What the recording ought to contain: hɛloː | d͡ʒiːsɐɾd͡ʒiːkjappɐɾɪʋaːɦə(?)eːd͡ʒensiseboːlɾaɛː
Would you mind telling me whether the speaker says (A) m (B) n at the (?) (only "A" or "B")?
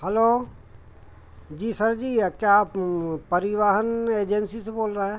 B